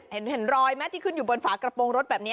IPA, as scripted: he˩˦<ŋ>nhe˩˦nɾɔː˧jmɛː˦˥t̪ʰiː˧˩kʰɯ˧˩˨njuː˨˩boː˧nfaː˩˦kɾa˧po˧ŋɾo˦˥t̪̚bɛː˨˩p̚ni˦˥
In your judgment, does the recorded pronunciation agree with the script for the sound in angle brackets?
no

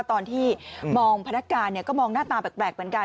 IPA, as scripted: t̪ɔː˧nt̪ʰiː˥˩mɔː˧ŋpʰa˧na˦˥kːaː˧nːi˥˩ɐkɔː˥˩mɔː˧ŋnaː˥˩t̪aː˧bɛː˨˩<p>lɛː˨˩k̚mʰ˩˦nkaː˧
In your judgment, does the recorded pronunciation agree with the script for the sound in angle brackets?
yes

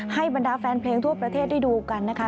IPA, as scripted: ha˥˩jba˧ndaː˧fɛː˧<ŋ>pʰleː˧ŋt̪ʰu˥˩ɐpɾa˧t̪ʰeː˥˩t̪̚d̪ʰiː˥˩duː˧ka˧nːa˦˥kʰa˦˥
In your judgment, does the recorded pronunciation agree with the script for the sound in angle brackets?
no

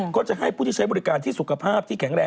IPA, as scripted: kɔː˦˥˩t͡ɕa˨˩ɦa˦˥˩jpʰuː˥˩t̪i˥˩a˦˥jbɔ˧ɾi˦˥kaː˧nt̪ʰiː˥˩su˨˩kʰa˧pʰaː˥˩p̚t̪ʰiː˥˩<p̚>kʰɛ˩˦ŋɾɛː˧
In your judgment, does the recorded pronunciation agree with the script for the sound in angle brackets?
no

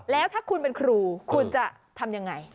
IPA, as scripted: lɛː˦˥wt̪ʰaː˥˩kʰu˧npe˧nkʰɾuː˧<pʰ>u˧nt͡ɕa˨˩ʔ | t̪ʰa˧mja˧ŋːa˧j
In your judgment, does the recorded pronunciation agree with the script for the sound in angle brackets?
no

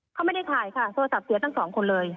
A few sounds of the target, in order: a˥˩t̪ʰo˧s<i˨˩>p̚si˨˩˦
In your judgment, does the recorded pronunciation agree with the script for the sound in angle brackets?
no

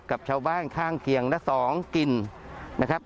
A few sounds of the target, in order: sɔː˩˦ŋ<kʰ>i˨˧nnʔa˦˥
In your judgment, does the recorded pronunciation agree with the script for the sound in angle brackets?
no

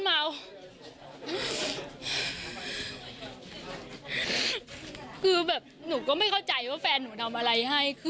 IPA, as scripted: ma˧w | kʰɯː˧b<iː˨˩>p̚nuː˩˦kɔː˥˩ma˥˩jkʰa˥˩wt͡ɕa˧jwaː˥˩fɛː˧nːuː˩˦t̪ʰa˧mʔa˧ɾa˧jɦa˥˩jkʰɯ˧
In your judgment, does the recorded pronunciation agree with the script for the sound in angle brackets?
no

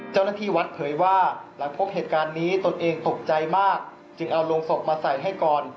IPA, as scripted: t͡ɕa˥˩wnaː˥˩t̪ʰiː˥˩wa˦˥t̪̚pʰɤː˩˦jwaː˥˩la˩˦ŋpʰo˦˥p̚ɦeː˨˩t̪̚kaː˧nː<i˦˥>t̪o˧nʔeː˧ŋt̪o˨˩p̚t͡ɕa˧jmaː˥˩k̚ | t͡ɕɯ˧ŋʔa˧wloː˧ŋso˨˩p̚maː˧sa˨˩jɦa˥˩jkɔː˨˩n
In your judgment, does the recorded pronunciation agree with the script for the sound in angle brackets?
no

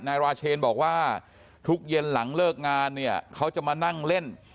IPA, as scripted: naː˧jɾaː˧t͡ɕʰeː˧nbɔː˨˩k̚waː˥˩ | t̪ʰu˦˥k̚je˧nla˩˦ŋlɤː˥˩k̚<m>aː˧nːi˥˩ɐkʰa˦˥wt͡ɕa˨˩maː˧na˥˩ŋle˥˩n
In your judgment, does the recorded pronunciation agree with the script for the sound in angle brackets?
no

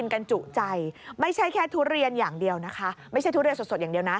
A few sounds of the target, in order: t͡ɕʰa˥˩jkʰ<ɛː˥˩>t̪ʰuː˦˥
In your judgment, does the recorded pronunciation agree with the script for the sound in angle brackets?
yes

